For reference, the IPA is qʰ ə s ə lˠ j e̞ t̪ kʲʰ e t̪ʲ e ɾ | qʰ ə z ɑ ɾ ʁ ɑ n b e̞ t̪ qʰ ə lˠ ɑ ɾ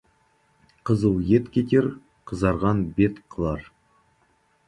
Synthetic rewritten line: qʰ ə z ə lˠ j e̞ t̪ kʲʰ e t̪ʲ e ɾ | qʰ ə z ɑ ɾ ʁ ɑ n b e̞ t̪ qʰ ə lˠ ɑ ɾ